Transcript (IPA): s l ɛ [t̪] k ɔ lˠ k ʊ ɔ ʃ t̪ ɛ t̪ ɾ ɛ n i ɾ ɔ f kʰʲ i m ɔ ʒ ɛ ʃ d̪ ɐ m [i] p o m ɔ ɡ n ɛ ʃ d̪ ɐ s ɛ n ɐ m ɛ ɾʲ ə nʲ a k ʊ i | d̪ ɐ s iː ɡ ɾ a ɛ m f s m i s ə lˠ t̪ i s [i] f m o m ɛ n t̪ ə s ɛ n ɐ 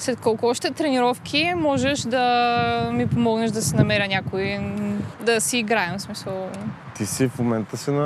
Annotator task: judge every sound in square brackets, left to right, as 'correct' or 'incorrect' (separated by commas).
correct, correct, correct